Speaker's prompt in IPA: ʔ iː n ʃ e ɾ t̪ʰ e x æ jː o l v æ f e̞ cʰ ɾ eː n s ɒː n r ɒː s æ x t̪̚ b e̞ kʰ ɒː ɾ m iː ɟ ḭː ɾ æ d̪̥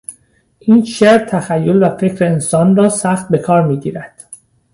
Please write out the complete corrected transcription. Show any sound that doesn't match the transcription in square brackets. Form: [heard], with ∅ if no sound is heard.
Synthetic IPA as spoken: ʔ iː n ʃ e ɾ t̪ʰ [æ] x æ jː o l v æ f e̞ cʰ ɾ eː n s ɒː n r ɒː s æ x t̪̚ b e̞ kʰ ɒː ɾ m iː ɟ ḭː ɾ æ d̪̥